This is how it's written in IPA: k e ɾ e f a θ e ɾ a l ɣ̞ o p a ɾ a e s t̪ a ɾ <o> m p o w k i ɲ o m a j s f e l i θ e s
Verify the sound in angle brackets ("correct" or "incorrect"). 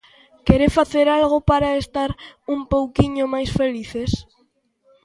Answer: incorrect